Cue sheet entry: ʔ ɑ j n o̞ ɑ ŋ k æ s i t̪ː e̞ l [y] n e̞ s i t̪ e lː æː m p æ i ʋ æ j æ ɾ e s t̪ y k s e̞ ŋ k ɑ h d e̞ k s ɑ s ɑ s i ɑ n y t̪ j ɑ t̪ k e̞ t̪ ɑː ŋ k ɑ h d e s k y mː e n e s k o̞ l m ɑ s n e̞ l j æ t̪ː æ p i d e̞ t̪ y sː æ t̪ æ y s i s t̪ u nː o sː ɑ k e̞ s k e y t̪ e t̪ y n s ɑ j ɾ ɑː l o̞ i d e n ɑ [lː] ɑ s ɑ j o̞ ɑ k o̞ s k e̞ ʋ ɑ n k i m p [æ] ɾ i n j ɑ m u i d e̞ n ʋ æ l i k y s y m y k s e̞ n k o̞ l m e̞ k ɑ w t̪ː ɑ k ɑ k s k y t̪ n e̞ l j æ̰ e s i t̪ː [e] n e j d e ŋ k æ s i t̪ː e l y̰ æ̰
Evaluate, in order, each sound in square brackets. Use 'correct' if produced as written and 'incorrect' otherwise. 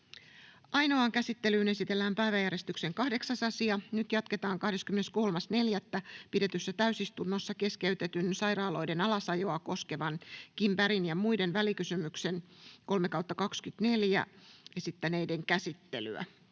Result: incorrect: yː, incorrect: l, correct, incorrect: æ

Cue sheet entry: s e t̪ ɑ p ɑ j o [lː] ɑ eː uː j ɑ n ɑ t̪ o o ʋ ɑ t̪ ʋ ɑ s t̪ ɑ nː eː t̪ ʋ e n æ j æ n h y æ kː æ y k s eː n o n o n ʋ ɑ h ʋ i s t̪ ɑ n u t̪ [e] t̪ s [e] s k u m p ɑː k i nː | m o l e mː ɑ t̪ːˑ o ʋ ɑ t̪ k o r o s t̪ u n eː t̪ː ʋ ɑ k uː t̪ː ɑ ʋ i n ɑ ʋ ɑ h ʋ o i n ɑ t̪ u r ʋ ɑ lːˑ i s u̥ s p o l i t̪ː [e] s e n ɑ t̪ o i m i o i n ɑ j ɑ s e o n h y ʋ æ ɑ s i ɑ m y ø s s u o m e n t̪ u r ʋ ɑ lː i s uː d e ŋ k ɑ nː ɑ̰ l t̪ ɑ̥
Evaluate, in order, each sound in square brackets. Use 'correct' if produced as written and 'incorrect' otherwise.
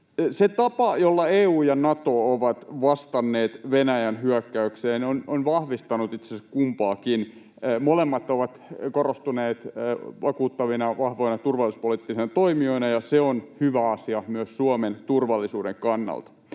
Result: correct, incorrect: i, correct, incorrect: i

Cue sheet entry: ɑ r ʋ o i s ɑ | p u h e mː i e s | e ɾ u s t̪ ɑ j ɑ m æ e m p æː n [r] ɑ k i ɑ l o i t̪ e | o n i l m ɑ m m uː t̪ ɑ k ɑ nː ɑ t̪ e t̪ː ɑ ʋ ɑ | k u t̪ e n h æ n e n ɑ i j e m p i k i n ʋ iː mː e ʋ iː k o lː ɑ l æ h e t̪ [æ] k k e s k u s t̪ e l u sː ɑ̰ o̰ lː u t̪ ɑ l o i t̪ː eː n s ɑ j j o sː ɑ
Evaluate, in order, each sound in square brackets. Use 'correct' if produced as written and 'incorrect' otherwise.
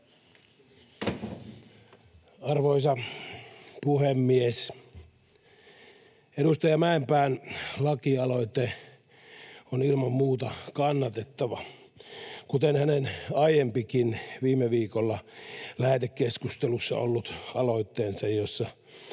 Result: incorrect: l, incorrect: e

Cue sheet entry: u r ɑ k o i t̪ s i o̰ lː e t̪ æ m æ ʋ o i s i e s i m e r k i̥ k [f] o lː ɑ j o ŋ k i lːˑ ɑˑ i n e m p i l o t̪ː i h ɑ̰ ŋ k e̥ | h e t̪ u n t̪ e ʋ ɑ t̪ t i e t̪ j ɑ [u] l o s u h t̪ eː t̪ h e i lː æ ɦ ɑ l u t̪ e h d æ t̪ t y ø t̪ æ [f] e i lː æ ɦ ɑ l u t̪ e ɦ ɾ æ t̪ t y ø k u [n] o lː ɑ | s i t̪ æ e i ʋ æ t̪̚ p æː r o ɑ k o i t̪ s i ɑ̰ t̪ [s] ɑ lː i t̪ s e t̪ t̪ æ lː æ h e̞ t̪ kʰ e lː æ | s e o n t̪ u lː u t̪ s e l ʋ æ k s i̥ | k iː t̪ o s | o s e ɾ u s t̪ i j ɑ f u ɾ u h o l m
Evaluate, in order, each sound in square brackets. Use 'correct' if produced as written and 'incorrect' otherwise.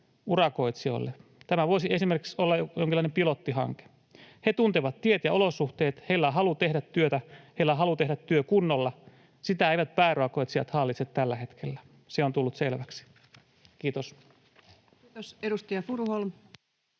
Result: incorrect: s, incorrect: o, incorrect: h, incorrect: nː, incorrect: h

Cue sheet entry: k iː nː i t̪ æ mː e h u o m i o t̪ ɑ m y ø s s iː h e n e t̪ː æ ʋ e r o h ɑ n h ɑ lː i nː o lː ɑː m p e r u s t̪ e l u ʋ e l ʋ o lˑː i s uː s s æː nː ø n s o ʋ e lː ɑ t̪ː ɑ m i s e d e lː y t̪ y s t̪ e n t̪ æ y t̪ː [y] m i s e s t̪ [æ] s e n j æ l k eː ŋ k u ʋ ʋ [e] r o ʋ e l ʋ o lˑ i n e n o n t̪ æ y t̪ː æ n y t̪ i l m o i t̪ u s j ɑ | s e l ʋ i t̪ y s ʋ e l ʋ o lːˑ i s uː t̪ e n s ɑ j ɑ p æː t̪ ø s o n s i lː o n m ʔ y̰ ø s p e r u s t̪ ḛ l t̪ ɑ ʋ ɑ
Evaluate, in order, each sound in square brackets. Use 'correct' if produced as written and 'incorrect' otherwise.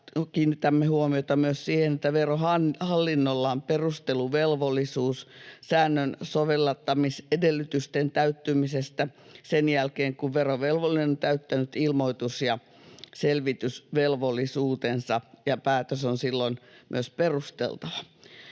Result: correct, correct, correct

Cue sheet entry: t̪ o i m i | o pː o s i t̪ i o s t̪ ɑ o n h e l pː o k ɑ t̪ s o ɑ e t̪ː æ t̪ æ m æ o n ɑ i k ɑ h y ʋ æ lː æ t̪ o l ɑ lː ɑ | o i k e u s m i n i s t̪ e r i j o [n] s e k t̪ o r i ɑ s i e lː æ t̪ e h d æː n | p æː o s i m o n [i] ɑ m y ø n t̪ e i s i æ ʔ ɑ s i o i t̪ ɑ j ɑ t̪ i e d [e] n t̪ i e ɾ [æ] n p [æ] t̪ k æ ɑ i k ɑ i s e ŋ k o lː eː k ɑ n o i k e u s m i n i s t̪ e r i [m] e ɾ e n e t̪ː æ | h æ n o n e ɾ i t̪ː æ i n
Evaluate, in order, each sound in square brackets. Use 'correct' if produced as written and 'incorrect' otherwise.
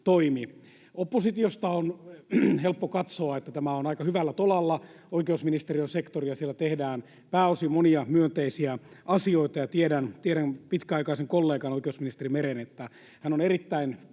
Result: correct, correct, incorrect: æ, correct, incorrect: i, correct

